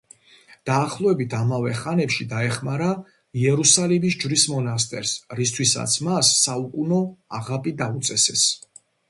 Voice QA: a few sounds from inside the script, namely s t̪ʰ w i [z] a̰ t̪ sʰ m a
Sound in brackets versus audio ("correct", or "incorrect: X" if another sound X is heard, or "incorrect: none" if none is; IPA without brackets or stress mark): incorrect: s